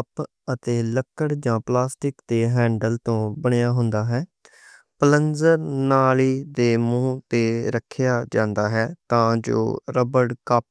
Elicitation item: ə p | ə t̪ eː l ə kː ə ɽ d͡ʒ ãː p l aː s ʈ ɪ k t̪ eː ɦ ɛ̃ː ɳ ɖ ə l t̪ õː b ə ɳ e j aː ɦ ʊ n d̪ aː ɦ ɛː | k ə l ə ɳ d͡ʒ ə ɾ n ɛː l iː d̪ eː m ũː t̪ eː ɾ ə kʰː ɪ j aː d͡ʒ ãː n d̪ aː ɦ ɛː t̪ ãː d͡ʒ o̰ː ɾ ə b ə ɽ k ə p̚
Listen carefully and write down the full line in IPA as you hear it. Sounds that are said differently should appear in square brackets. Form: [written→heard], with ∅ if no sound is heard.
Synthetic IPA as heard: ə p | ə t̪ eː l ə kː ə ɽ d͡ʒ ãː p l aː s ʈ ɪ k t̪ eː ɦ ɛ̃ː ɳ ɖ ə l t̪ õː b ə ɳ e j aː ɦ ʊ n d̪ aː ɦ ɛː | [k→p] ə l ə [ɳ→n] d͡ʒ ə ɾ n [ɛː→aː] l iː d̪ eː m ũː t̪ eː ɾ ə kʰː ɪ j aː d͡ʒ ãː n d̪ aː ɦ ɛː t̪ ãː d͡ʒ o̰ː ɾ ə b ə ɽ k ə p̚